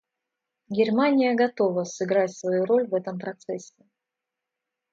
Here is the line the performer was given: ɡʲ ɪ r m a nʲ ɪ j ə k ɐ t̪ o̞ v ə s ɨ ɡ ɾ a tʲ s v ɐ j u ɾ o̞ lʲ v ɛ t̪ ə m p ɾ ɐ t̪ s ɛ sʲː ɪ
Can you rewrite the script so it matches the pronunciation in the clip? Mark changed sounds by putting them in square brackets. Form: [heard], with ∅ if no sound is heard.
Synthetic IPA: ɡʲ ɪ r m a nʲ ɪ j ə [ɡ] ɐ t̪ o̞ v ə s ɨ ɡ ɾ a tʲ s v ɐ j u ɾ o̞ lʲ v ɛ t̪ ə m p ɾ ɐ t̪ s ɛ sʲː ɪ